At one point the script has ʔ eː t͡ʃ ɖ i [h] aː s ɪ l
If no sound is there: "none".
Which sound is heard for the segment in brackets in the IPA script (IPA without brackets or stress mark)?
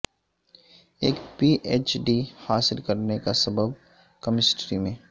h